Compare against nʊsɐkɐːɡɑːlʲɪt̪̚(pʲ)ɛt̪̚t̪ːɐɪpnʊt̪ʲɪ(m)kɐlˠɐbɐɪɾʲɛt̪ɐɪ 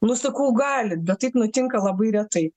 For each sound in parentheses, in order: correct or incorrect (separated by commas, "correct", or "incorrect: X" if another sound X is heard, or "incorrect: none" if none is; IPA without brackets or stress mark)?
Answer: incorrect: bʲ, incorrect: ŋ